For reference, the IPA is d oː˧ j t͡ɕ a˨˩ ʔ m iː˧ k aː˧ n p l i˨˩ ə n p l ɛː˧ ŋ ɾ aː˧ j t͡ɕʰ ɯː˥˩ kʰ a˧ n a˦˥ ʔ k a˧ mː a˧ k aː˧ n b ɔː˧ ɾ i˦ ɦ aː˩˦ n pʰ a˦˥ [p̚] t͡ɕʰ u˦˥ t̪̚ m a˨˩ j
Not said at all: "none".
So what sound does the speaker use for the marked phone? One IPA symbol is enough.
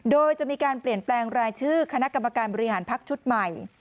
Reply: k̚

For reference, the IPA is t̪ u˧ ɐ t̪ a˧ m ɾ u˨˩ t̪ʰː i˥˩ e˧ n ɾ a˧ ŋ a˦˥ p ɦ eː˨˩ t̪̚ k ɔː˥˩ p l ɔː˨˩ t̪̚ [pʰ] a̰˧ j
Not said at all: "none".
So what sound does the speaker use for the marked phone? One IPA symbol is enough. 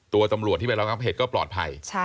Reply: pʰ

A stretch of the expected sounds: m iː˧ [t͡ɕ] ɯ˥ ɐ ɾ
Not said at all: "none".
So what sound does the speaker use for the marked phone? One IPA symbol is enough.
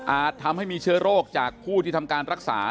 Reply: t͡ɕʰ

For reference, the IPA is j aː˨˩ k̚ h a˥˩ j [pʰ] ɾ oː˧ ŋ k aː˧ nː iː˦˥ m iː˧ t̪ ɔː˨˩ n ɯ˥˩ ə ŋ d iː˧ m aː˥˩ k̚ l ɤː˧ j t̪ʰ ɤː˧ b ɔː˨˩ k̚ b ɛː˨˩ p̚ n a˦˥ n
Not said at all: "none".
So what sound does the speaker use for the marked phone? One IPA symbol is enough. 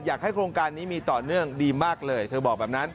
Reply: kʰ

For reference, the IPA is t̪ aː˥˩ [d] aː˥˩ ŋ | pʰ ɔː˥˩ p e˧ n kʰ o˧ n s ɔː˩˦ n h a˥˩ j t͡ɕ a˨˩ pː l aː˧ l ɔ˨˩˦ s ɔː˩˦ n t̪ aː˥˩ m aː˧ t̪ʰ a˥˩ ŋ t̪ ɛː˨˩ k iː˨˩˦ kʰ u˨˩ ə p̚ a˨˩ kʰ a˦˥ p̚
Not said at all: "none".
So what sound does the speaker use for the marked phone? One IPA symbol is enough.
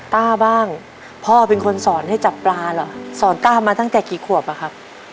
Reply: b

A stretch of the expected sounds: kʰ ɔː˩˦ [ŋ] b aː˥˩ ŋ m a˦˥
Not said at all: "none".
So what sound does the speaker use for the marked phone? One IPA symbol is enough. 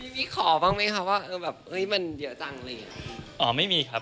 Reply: none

